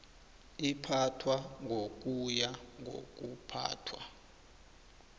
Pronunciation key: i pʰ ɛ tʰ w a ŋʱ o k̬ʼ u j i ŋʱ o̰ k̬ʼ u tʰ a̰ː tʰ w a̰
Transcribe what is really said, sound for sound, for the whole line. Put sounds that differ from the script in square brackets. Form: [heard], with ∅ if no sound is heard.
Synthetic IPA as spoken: i pʰ [a] tʰ w a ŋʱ o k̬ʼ u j [a] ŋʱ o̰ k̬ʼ u [pʰ] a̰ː tʰ w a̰